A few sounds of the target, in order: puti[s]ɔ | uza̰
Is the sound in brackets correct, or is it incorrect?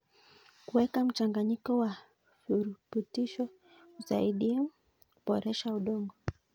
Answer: incorrect